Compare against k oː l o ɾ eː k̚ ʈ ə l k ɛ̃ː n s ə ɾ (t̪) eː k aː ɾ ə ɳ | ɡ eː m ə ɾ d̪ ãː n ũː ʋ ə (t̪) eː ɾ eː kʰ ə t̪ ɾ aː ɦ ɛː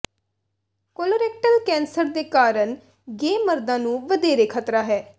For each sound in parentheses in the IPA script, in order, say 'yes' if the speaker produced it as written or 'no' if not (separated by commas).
no, no